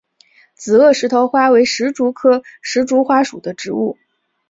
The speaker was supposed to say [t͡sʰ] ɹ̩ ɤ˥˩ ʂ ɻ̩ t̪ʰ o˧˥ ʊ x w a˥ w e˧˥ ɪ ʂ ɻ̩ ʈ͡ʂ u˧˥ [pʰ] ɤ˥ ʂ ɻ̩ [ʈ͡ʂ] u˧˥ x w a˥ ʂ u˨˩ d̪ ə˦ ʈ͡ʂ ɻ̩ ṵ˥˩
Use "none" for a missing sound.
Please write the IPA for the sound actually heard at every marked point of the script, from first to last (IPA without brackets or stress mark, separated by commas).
t͡s, kʰ, ʈ͡ʂ